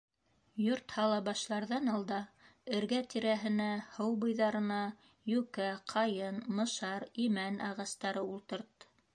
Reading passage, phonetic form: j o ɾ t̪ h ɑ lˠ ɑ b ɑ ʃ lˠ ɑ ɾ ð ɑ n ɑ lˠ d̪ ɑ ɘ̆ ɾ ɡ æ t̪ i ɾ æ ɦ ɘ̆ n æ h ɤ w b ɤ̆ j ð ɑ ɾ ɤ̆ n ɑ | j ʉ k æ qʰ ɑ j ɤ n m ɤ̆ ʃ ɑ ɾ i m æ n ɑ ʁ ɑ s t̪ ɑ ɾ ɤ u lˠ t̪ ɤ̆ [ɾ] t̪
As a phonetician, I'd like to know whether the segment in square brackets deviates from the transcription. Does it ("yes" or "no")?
no